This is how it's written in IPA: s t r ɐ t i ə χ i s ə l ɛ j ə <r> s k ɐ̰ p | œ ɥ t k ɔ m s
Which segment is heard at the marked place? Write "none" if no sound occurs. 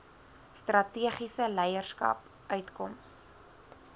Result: r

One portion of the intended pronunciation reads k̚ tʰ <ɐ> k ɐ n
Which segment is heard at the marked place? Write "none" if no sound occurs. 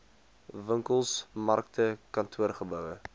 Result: ə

